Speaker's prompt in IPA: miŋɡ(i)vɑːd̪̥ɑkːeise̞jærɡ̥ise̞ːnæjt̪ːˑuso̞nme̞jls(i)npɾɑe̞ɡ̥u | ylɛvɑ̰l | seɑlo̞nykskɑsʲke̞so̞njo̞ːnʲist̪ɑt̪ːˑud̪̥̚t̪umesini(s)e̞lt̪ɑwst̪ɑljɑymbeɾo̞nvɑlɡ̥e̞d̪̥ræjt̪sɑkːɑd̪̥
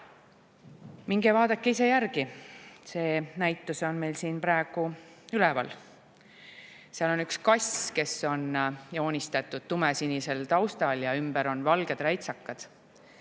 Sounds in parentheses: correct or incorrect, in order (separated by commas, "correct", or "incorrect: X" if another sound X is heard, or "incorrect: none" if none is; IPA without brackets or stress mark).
incorrect: e, incorrect: iː, correct